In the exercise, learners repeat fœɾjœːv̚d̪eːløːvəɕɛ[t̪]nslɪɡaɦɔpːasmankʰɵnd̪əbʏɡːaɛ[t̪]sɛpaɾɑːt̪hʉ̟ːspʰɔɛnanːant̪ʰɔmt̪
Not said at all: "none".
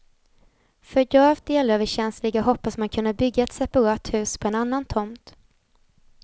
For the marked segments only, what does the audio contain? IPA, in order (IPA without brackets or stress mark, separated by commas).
none, t̪